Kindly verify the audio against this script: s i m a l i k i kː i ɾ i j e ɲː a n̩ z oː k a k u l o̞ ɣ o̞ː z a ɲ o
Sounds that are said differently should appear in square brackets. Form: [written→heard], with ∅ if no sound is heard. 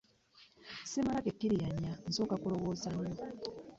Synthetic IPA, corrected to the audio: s i m a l [i→a] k [i→e] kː i ɾ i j [e→a] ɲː a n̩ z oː k a k u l o̞ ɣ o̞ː z a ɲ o